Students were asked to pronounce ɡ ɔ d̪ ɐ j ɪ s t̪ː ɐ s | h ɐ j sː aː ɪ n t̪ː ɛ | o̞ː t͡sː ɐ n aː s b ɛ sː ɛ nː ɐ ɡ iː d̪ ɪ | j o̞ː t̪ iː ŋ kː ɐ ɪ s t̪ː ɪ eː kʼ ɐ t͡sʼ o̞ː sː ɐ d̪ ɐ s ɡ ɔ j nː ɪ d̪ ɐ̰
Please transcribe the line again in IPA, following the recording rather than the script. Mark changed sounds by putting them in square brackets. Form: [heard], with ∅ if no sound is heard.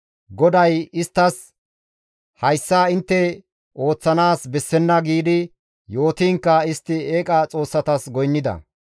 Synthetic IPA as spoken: ɡ ɔ d̪ ɐ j ɪ s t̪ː ɐ s | h ɐ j sː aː ɪ n t̪ː ɛ | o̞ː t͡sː ɐ n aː s b ɛ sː ɛ nː ɐ ɡ iː d̪ ɪ | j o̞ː t̪ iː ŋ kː ɐ ɪ s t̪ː ɪ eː kʼ ɐ t͡sʼ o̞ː sː ɐ [t̪] ɐ s ɡ ɔ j nː ɪ d̪ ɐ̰